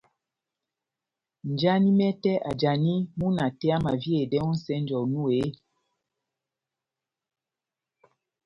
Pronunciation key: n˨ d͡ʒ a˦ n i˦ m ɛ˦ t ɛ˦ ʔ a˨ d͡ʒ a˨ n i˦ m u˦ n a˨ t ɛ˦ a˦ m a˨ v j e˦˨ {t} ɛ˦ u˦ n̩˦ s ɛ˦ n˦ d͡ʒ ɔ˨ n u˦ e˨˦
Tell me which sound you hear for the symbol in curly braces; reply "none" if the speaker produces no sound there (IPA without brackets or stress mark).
d